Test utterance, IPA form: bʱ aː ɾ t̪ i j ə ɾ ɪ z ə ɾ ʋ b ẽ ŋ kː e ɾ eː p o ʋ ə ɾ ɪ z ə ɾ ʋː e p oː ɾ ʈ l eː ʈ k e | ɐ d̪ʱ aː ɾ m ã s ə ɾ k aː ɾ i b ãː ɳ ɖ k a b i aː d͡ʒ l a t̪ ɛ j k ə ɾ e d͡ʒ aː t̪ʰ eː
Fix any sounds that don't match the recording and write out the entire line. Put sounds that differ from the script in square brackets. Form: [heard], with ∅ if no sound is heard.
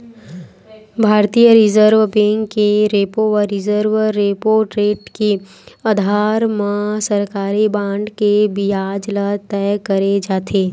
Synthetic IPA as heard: bʱ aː ɾ t̪ i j ə ɾ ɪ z ə ɾ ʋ b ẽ ŋ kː e ɾ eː p o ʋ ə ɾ ɪ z ə ɾ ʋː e p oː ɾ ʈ [ɾ] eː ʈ k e | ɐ d̪ʱ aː ɾ m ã s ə ɾ k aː ɾ i b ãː ɳ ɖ k [e] b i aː d͡ʒ l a t̪ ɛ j k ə ɾ e d͡ʒ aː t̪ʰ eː

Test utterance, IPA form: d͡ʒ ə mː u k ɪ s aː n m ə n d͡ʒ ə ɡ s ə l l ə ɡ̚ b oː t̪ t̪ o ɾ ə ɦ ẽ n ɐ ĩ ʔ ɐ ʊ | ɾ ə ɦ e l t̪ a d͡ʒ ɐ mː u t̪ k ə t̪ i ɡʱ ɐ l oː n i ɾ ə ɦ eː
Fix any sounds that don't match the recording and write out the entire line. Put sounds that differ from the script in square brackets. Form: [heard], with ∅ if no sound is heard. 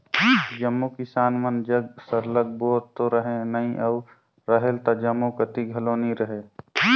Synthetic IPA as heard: d͡ʒ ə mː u k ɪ s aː n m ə n d͡ʒ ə ɡ s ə [ɾ] l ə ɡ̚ b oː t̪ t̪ o ɾ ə ɦ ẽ n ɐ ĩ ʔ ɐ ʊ | ɾ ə ɦ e l t̪ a d͡ʒ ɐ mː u [∅] k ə t̪ i ɡʱ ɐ l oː n i ɾ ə ɦ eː

